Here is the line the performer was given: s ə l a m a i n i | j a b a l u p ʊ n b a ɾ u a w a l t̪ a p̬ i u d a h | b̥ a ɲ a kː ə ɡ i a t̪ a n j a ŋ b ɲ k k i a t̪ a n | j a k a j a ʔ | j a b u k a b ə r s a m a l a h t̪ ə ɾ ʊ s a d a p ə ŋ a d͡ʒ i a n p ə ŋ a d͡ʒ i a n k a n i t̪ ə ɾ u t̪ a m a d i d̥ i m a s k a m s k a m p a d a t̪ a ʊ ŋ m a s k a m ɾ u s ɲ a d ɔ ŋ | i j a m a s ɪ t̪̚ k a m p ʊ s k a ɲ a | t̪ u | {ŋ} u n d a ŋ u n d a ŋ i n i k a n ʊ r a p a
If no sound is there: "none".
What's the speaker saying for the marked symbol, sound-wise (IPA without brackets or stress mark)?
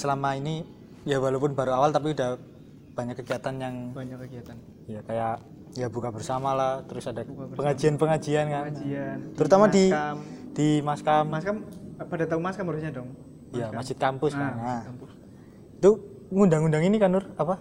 ŋ